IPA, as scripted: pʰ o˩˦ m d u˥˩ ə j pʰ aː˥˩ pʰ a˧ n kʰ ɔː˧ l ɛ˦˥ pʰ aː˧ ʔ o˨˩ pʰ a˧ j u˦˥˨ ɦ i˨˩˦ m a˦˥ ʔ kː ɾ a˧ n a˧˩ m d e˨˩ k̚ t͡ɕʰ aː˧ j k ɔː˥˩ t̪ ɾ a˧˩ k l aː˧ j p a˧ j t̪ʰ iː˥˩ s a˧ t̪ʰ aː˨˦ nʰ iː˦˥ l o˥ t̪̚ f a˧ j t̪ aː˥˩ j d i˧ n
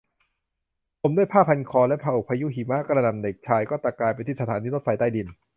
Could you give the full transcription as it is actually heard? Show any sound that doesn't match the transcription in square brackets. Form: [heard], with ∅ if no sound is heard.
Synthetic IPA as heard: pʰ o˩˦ m d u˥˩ ə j pʰ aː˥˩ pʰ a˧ n kʰ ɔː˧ l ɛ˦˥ pʰ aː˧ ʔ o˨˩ pʰ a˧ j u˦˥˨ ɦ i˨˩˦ m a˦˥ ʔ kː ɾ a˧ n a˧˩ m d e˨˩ k̚ t͡ɕʰ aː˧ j k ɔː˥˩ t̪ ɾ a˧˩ k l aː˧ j p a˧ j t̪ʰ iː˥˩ s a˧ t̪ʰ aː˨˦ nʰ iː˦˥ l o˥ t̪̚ f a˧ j t̪ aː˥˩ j d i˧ n